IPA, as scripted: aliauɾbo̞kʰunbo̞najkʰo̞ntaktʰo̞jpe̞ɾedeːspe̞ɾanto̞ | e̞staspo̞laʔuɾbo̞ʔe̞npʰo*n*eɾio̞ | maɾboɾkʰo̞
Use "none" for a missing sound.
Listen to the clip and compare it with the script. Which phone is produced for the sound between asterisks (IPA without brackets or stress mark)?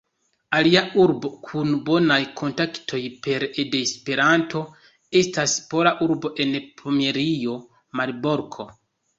m